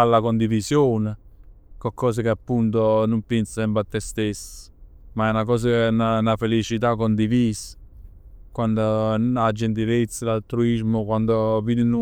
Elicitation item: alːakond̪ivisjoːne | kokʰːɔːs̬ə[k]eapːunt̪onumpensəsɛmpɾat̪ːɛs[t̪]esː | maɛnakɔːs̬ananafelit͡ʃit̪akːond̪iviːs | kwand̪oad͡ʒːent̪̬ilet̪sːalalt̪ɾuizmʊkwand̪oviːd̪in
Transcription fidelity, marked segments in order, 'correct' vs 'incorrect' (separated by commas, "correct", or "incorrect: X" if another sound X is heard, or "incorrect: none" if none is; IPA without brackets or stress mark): correct, correct